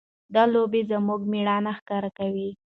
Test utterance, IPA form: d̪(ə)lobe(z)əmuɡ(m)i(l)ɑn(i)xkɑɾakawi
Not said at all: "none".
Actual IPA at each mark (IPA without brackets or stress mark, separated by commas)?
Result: ɑ, z, m, ɽ, a